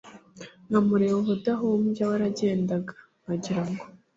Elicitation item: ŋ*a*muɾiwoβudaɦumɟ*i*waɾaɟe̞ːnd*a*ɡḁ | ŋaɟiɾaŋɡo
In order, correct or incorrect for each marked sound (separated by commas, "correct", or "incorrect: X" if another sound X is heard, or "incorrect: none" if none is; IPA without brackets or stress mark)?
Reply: correct, incorrect: a, correct